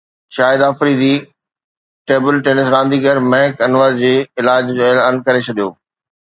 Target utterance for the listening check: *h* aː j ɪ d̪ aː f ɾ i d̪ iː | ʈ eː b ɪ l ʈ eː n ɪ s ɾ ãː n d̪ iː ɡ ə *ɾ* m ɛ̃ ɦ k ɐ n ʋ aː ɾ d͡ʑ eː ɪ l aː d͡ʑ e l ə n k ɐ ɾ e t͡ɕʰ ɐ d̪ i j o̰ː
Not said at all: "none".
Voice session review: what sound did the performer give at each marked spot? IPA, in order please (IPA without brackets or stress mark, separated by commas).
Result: ʃ, ɾ